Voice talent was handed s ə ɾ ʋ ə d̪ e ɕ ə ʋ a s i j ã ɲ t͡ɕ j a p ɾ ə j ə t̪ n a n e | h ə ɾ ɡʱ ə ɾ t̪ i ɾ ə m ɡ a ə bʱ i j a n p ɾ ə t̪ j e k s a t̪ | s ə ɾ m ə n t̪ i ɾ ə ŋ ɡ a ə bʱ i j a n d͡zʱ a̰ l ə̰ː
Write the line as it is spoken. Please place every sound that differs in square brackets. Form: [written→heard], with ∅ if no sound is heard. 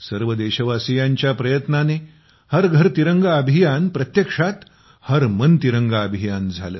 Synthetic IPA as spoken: s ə ɾ ʋ ə d̪ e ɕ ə ʋ a s i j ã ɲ t͡ɕ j a p ɾ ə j ə t̪ n a n e | h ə ɾ ɡʱ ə ɾ t̪ i ɾ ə [m→ŋ] ɡ a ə bʱ i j a n p ɾ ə t̪ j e k [s→ʂ] a t̪ | [s→h] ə ɾ m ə n t̪ i ɾ ə ŋ ɡ a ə bʱ i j a n d͡zʱ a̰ l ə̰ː